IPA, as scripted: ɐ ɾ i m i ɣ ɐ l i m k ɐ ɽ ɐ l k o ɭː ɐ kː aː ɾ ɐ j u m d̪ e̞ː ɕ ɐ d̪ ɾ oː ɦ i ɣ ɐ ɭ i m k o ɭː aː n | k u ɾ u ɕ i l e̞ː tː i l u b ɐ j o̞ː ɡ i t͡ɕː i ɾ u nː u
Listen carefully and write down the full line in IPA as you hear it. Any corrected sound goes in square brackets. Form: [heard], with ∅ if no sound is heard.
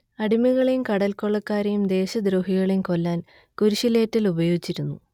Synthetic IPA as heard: ɐ [ɽ] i m i ɣ ɐ [ɭ] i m k ɐ ɽ ɐ l k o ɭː ɐ kː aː ɾ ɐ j u m d̪ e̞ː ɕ ɐ d̪ ɾ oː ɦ i ɣ ɐ ɭ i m k o [lː] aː n | k u ɾ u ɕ i l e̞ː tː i l u b ɐ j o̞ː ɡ i t͡ɕː i ɾ u nː u